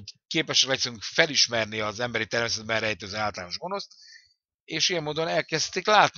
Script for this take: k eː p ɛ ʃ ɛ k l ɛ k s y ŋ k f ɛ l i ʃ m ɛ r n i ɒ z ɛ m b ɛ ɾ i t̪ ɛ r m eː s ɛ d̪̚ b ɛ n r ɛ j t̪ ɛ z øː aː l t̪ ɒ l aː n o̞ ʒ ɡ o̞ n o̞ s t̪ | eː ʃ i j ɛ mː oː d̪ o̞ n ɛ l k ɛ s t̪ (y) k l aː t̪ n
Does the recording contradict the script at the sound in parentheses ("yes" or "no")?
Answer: yes